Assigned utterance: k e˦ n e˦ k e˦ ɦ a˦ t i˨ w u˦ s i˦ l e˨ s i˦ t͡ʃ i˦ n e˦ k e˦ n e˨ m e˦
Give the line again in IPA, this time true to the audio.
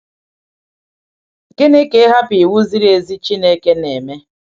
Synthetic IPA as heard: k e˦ n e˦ k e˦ ɦ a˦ p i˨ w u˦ z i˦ ɾ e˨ z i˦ t͡ʃ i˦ n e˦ k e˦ n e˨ m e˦